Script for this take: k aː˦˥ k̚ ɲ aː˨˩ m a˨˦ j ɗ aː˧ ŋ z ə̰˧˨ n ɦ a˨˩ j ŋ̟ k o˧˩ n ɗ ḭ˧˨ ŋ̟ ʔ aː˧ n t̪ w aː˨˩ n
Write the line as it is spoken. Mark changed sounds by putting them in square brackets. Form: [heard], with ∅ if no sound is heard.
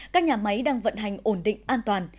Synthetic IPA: k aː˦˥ k̚ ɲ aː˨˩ m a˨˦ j ɗ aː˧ ŋ [v] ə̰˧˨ n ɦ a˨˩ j ŋ̟ [ʔ] o˧˩ n ɗ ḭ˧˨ ŋ̟ ʔ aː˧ n t̪ w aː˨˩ n